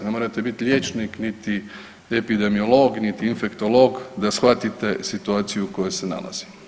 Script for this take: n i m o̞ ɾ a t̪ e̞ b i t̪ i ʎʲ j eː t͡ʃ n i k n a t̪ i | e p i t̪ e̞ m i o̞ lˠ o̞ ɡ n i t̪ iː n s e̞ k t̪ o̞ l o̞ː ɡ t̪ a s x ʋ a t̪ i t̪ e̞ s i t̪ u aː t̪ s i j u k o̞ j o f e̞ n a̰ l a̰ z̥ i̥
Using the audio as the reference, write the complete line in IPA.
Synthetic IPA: n e m o̞ ɾ a t̪ e̞ b i t̪ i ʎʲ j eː t͡ʃ n i k n i t̪ i | e p i d̪ e̞ m i o̞ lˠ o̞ ɡ n i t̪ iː n f e̞ k t̪ o̞ l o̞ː ɡ d̪ a s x ʋ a t̪ i t̪ e̞ s i t̪ u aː t̪ s i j u k o̞ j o s e̞ n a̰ l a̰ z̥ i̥

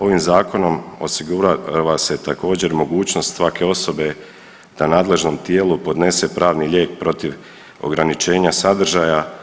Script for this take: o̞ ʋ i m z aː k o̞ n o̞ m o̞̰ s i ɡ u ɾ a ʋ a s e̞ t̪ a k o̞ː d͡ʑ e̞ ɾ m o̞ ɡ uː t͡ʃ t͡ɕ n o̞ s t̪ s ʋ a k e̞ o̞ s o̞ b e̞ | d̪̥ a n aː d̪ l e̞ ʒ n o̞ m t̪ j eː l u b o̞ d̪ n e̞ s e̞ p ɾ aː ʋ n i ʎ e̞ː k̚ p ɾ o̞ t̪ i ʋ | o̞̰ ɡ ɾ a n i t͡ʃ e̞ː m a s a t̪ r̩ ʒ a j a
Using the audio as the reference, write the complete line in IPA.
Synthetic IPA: o̞ ʋ i m z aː k o̞ n o̞ m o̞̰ s i ɡ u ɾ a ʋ a s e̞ t̪ a k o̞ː d͡ʑ e̞ ɾ m o̞ ɡ uː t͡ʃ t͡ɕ n o̞ s t̪ s ʋ a k e̞ o̞ s o̞ b e̞ | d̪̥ a n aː d̪ l e̞ ʒ n o̞ m t̪ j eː l u p o̞ d̪ n e̞ s e̞ p ɾ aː ʋ n i ʎ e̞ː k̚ p ɾ o̞ t̪ i ʋ | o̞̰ ɡ ɾ a n i t͡ʃ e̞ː ɲ a s a d̪ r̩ ʒ a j a

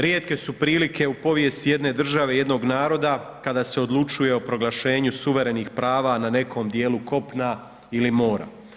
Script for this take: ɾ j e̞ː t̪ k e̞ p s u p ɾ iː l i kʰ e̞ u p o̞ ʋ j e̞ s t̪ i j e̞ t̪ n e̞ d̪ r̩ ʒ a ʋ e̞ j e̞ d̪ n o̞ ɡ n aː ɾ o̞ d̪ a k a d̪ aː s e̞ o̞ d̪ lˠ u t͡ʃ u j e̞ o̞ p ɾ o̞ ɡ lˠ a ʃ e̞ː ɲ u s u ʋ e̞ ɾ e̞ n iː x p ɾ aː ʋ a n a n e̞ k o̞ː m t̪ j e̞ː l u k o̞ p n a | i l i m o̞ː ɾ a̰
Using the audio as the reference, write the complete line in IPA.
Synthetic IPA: ɾ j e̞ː t̪ k e̞ s u p ɾ iː l i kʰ e̞ u p o̞ ʋ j e̞ s t̪ i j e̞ d̪ n e̞ d̪ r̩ ʒ a ʋ e̞ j e̞ d̪ n o̞ ɡ n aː ɾ o̞ d̪ a k a d̪ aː s e̞ o̞ d̪ lˠ u t͡ʃ u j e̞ o̞ p ɾ o̞ ɡ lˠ a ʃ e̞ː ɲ u s u ʋ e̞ ɾ e̞ n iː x p ɾ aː ʋ a n a n e̞ k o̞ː m d̪ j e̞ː l u k o̞ p n a | i l i m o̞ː ɾ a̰

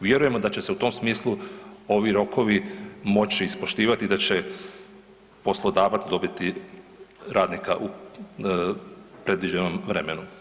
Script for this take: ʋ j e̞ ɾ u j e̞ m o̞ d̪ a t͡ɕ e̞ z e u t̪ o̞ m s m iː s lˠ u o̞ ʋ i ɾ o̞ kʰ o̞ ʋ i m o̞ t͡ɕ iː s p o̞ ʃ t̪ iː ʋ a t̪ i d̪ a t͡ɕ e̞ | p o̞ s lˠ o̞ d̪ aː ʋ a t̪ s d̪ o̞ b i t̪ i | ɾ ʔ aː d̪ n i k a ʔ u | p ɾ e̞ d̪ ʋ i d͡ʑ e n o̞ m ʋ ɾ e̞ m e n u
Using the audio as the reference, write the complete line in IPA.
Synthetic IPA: ʋ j e̞ ɾ u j e̞ m o̞ d̪ a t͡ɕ e̞ s e u t̪ o̞ m s m iː s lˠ u o̞ ʋ i ɾ o̞ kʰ o̞ ʋ i m o̞ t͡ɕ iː s p o̞ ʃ t̪ iː ʋ a t̪ i d̪ a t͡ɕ e̞ | p o̞ s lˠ o̞ d̪ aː ʋ a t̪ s d̪ o̞ b i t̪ i | ɾ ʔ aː d̪ n i k a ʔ u | p ɾ e̞ d̪ ʋ i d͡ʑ e n o̞ m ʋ ɾ e̞ m e n u

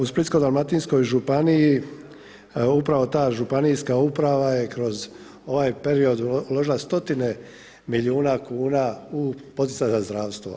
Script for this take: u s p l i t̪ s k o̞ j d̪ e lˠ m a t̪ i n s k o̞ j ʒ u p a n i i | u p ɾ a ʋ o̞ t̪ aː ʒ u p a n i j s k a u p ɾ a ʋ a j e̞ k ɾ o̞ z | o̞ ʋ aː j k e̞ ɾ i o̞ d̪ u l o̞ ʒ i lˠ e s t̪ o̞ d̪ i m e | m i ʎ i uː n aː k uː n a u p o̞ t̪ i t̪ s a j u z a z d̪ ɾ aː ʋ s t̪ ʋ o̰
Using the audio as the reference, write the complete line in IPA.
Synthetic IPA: u s p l i t̪ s k o̞ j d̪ a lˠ m a t̪ i n s k o̞ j ʒ u p a n i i | u p ɾ a ʋ o̞ t̪ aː ʒ u p a n i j s k a u p ɾ a ʋ a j e̞ k ɾ o̞ z | o̞ ʋ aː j p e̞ ɾ i o̞ d̪ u l o̞ ʒ i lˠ a s t̪ o̞ t̪ i n e | m i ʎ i uː n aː k uː n a u p o̞ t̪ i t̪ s a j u z a z d̪ ɾ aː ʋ s t̪ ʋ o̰

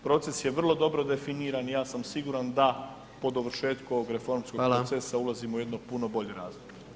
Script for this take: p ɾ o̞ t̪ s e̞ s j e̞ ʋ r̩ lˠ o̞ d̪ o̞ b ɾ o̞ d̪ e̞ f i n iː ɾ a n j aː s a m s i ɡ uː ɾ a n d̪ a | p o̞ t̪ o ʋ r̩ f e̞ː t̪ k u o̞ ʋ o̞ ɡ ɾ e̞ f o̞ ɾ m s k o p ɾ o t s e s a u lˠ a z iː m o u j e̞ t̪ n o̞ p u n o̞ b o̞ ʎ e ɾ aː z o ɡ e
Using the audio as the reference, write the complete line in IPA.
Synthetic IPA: p ɾ o̞ t̪ s e̞ s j e̞ ʋ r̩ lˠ o̞ d̪ o̞ b ɾ o̞ d̪ e̞ f i n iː ɾ a n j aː s a m s i ɡ uː ɾ a n d̪ a | p o̞ d̪ o ʋ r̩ ʃ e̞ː t̪ k u o̞ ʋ o̞ ɡ ɾ e̞ f o̞ ɾ m s k o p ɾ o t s e s a u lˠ a z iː m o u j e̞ d̪ n o̞ p u n o̞ b o̞ ʎ e ɾ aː z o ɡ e

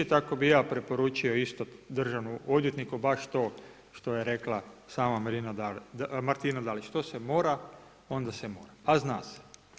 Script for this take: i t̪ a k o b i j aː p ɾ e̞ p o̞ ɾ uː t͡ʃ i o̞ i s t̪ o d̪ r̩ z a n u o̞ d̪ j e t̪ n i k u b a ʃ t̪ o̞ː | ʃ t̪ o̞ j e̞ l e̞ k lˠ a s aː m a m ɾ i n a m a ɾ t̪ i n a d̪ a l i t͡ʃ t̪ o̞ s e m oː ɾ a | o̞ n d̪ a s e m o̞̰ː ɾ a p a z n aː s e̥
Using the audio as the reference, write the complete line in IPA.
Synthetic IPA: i t̪ a k o b i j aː p ɾ e̞ p o̞ ɾ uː t͡ʃ i o̞ i s t̪ o d̪ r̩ ʒ a n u o̞ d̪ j e t̪ n i k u b a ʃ t̪ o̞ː | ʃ t̪ o̞ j e̞ ɾ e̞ k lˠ a s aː m a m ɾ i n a m a ɾ t̪ i n a d̪ a l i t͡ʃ t̪ o̞ s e m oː ɾ a | o̞ n d̪ a s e m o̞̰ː ɾ a p a z n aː s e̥

